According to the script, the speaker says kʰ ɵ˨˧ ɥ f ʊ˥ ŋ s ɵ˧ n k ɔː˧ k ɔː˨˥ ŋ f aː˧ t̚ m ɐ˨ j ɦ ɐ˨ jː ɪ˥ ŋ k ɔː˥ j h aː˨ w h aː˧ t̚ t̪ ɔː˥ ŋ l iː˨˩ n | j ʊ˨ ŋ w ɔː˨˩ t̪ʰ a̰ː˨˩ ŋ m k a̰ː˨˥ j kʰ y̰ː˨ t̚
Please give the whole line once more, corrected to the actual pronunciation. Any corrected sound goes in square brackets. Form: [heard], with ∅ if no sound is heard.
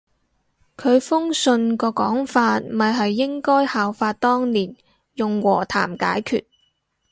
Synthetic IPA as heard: kʰ ɵ˨˧ ɥ f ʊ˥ ŋ s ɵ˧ n k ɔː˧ k ɔː˨˥ ŋ f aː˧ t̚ m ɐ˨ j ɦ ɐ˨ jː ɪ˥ ŋ k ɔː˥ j h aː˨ w [f] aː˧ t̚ t̪ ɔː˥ ŋ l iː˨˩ n | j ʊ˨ ŋ w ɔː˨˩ t̪ʰ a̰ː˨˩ [∅] m k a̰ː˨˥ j kʰ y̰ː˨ t̚